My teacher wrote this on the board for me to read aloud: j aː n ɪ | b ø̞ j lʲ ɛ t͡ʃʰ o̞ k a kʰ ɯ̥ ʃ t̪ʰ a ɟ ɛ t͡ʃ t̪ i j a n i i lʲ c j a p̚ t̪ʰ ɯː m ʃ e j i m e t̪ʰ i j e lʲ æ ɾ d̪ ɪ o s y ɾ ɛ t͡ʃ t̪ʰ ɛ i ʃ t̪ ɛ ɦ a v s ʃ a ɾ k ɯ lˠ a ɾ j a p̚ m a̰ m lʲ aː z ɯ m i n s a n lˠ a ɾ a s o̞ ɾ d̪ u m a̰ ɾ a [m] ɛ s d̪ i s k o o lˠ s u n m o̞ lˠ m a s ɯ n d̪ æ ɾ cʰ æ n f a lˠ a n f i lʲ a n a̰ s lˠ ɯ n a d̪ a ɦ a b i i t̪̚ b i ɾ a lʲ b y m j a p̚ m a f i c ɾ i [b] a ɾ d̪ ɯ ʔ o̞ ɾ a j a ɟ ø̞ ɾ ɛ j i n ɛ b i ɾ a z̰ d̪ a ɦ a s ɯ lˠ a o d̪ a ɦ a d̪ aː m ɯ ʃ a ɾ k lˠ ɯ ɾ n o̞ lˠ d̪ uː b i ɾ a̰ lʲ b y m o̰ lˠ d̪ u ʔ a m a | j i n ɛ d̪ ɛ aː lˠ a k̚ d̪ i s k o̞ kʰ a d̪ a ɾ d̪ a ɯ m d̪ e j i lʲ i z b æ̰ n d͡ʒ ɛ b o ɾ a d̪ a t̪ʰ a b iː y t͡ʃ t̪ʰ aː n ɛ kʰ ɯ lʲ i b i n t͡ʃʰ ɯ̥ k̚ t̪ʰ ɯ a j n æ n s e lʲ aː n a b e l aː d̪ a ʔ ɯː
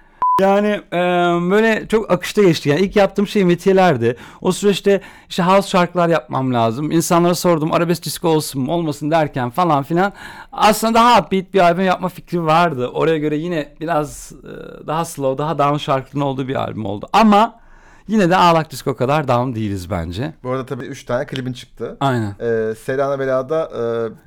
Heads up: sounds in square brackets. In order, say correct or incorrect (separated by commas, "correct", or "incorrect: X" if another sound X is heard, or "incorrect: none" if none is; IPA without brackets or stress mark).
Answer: incorrect: b, incorrect: v